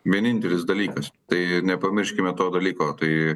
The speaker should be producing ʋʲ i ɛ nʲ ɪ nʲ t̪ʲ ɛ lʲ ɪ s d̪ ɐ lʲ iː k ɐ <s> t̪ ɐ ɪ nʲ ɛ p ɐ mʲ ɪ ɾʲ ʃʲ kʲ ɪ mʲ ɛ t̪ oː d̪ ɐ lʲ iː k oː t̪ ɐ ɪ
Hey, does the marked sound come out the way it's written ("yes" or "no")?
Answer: yes